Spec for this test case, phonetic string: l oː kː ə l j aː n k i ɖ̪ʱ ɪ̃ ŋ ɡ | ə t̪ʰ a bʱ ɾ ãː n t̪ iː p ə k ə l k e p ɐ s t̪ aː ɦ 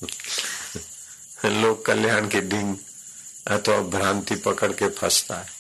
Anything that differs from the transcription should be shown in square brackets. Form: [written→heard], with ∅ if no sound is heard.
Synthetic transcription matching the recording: l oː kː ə l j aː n k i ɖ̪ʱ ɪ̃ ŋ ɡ | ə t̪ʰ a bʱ ɾ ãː n t̪ [iː→i] p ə k ə [l→ɽ] k e [p→pʰ] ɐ s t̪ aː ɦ